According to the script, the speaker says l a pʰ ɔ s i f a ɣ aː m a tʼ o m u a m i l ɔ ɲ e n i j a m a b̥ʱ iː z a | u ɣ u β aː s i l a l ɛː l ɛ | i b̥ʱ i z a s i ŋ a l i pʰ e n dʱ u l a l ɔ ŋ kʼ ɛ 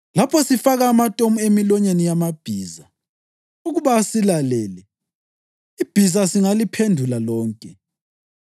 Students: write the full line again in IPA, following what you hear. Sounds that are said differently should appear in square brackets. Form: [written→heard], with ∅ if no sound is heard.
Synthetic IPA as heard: l a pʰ ɔ s i f a ɣ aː m a tʼ o m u [a→e] m i l ɔ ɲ e n i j a m a b̥ʱ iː z a | u ɣ u β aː s i l a l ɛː l ɛ | i b̥ʱ i z a s i ŋ a l i pʰ e n dʱ u l a l [ɔ→ɔː] ŋ kʼ ɛ

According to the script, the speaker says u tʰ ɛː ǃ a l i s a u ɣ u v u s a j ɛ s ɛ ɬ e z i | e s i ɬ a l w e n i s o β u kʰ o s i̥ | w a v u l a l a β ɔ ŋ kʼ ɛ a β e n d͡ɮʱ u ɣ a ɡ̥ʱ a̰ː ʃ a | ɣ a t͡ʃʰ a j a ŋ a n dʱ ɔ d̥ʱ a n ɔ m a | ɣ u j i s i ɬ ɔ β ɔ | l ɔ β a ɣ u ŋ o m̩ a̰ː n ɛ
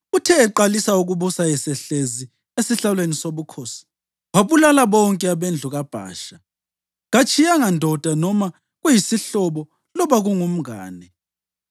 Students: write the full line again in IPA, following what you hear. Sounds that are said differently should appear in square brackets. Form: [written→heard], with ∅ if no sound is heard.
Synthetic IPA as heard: u tʰ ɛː ǃ a l i s a u ɣ u [v→β] u s a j ɛ s ɛ ɬ e z i | e s i ɬ a l w e n i s o β u kʰ o s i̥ | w a [v→β] u l a l a β ɔ ŋ kʼ ɛ a β e n d͡ɮʱ u ɣ a [ɡ̥ʱ→b̥ʱ] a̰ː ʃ a | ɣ a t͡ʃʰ [a→i] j a ŋ a n dʱ ɔ d̥ʱ a n ɔ m a | ɣ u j i s i ɬ ɔ β ɔ | l ɔ β a ɣ u ŋ [o→u] m̩ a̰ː n ɛ

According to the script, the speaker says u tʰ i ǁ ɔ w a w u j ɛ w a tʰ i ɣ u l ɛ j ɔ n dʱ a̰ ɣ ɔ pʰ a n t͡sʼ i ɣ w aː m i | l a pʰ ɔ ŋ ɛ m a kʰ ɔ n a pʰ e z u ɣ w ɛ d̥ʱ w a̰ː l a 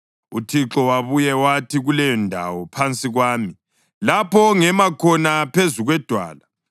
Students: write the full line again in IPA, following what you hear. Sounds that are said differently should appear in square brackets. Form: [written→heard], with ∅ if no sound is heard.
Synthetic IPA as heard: u tʰ i ǁ ɔ w a [w→β] u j ɛ w a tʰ i ɣ u l ɛ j ɔ n dʱ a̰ [ɣ→w] ɔ pʰ a n t͡sʼ i ɣ w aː m i | l a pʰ ɔ ŋ ɛ m a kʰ ɔ n a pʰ e z u ɣ w ɛ d̥ʱ w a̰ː l a

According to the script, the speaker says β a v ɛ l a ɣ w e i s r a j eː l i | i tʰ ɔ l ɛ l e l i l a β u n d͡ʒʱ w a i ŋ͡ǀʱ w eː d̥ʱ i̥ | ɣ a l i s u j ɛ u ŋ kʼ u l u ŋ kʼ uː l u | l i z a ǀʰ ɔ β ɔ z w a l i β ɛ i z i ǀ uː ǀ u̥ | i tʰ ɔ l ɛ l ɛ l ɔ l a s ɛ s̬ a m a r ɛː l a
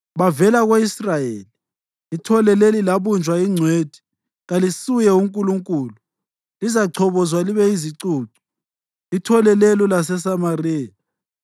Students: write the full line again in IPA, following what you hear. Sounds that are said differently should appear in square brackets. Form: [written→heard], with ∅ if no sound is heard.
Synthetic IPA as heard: β a v ɛ l a ɣ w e i s r a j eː l i | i tʰ ɔ l ɛ l e l i l a β u n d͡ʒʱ w a i ŋ͡ǀʱ w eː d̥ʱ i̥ | ɣ a l i s u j ɛ u ŋ kʼ u l u ŋ kʼ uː l u | l i z a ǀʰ ɔ β ɔ z w a l i β ɛ i z i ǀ uː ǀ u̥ | i tʰ ɔ l ɛ l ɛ l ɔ l a s ɛ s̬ a m a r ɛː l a

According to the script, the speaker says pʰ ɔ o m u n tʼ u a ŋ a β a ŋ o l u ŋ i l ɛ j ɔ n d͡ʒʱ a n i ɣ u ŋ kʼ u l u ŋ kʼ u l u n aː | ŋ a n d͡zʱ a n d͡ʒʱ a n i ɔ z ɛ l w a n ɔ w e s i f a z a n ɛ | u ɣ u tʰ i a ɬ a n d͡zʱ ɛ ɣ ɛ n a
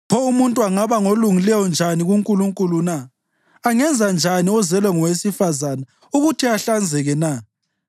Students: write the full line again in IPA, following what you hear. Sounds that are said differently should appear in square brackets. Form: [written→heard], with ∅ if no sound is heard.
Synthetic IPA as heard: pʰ ɔ [o→u] m u n tʼ u a ŋ a β a ŋ o l u ŋ i l ɛ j ɔ n d͡ʒʱ a n i ɣ u ŋ kʼ u l u ŋ kʼ u l u n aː | ŋ [a→ɛ] n d͡zʱ a n d͡ʒʱ a n i ɔ z ɛ l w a [n→ŋ] ɔ w e s i f a z a n [ɛ→a] | u ɣ u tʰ i a ɬ a n d͡zʱ ɛ ɣ ɛ n a

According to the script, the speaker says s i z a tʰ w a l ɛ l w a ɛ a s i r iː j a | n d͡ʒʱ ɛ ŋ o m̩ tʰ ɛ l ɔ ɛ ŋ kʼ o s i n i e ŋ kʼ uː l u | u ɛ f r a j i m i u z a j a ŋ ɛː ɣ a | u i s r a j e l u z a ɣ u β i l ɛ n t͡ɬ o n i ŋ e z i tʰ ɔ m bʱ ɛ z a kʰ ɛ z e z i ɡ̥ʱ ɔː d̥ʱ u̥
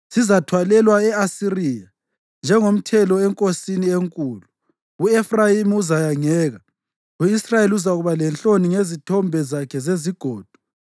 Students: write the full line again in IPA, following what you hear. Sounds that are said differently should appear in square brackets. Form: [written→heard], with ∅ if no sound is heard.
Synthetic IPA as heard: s i z a tʰ w a l ɛ l w a ɛ a s i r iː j a | n d͡ʒʱ ɛ ŋ o m̩ tʰ ɛ l ɔ ɛ ŋ kʼ o s i n i e ŋ kʼ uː l u | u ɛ f r a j i m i u z a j a ŋ ɛː ɣ a | u i s r a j e l u z a ɣ u β [i→a] l ɛ n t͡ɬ o n i ŋ e z i tʰ ɔ m bʱ ɛ z a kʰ ɛ z e z i ɡ̥ʱ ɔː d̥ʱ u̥

